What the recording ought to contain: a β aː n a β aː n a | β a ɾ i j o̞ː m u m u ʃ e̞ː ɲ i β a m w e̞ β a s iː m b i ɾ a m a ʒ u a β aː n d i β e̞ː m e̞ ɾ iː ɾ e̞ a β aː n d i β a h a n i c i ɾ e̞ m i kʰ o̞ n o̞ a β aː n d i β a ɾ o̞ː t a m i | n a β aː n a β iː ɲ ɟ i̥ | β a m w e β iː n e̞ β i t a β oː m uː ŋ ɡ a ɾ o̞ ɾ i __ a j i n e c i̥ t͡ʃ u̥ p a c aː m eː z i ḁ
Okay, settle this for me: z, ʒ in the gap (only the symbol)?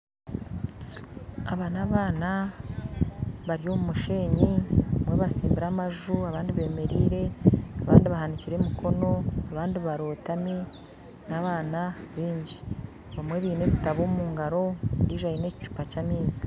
ʒ